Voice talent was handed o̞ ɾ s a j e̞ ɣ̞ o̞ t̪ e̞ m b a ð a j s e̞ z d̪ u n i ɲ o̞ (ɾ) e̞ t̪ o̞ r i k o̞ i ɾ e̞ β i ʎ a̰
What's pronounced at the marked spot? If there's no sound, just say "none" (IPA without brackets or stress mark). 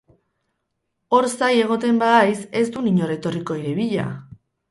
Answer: ɾ